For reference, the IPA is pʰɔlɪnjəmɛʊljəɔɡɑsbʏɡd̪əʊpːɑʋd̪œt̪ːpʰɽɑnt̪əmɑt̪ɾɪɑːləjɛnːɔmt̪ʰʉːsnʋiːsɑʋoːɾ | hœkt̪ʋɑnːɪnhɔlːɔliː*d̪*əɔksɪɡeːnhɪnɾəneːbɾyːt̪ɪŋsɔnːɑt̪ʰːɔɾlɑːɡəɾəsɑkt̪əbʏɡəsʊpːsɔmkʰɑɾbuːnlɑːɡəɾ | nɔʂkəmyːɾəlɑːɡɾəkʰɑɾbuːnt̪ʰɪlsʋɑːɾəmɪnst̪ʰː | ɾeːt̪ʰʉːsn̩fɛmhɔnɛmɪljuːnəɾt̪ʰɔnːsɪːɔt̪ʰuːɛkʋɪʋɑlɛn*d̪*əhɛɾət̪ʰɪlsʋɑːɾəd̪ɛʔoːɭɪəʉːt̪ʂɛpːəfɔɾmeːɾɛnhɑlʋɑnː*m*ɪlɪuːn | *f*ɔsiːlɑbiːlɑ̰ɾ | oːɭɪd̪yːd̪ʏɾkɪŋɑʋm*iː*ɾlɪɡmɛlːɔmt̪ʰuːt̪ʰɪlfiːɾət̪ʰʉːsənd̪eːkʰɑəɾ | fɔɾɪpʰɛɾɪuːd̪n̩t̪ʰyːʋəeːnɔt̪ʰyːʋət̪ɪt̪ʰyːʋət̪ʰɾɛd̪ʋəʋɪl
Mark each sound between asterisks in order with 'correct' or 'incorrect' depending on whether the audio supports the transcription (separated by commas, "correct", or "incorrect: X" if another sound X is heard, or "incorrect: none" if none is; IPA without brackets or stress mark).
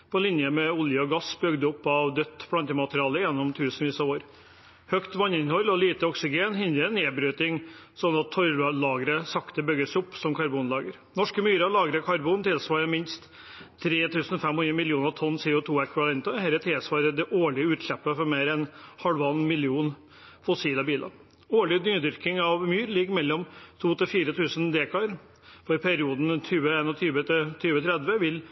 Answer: incorrect: t̪, incorrect: t̪, correct, correct, incorrect: yː